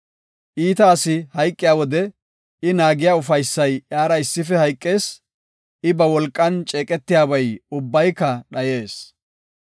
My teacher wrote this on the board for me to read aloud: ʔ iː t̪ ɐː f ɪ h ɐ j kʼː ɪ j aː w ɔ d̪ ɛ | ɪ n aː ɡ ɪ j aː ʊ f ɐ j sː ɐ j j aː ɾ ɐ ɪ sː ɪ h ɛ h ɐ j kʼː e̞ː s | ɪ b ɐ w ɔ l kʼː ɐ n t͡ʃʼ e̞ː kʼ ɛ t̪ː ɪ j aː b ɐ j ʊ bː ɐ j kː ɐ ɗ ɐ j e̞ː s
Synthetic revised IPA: ʔ iː t̪ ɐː s ɪ h ɐ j kʼː ɪ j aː w ɔ d̪ ɛ | ɪ n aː ɡ ɪ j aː ʊ f ɐ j sː ɐ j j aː ɾ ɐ ɪ sː ɪ f ɛ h ɐ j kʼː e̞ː s | ɪ b ɐ w ɔ l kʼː ɐ n t͡ʃʼ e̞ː kʼ ɛ t̪ː ɪ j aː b ɐ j ʊ bː ɐ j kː ɐ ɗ ɐ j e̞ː s